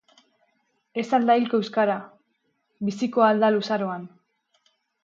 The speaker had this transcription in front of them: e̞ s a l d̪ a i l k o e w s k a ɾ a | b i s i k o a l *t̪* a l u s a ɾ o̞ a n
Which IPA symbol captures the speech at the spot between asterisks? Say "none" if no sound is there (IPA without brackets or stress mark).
d̪